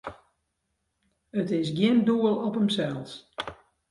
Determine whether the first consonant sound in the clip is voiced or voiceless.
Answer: voiceless